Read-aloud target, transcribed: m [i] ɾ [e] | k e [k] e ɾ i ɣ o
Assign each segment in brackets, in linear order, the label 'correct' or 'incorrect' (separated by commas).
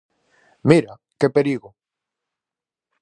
correct, incorrect, incorrect